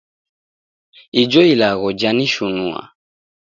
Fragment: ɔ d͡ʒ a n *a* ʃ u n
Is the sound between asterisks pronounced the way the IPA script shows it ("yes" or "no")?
no